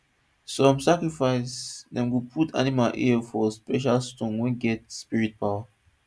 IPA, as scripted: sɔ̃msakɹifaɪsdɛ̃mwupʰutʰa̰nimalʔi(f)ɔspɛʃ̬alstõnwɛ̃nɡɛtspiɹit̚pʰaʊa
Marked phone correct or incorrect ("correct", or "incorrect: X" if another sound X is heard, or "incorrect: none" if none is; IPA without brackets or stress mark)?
correct